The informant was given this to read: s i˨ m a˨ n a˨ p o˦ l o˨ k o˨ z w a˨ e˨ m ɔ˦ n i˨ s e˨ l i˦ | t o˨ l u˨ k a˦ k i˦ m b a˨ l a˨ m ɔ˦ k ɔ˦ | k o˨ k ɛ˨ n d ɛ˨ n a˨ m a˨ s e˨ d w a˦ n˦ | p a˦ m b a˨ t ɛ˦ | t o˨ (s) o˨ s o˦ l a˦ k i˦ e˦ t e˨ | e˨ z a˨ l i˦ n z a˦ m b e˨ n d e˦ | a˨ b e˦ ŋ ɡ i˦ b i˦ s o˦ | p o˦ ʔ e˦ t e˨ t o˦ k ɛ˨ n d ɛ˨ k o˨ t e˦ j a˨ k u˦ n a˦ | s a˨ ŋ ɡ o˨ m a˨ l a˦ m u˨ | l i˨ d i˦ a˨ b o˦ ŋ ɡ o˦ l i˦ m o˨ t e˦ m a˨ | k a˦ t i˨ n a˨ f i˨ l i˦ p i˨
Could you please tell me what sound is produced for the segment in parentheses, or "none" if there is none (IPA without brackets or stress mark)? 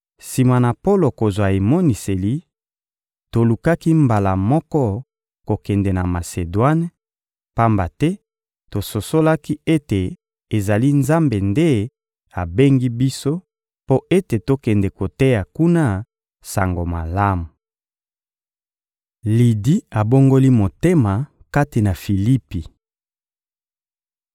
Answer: s